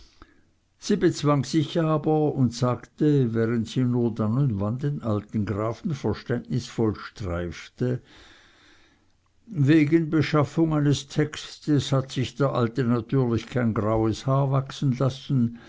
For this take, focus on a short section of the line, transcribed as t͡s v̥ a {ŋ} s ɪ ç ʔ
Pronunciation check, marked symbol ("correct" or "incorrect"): correct